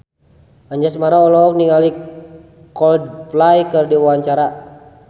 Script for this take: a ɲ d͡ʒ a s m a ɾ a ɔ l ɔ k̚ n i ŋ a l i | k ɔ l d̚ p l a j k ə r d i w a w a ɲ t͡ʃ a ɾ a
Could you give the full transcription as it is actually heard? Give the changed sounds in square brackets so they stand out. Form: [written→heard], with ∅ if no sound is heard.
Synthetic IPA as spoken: a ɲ d͡ʒ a s m a ɾ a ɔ l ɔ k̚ n i ŋ a l i | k ɔ l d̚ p l a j k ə r d i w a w a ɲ t͡ʃ a ɾ a